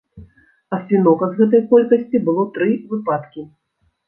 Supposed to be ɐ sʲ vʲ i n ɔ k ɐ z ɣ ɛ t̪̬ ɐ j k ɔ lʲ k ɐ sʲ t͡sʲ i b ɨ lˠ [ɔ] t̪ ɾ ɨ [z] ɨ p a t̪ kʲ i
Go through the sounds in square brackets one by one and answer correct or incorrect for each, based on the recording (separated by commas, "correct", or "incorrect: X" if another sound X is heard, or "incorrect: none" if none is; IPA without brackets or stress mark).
correct, incorrect: v